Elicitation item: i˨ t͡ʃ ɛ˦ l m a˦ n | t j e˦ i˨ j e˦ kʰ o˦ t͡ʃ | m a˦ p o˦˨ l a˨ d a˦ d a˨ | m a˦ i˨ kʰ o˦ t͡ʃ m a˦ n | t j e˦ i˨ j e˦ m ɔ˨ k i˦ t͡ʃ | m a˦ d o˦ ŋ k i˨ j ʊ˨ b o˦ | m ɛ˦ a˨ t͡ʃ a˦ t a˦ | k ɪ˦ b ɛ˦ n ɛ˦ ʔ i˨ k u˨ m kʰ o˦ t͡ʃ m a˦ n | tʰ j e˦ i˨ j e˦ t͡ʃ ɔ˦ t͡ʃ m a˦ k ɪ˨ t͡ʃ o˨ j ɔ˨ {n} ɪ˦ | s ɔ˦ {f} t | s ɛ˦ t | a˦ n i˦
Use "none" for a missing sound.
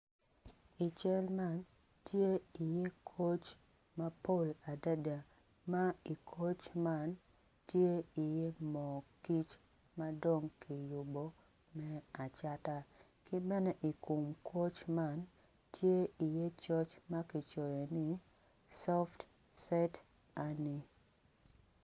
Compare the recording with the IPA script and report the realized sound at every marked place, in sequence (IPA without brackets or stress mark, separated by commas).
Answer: n, f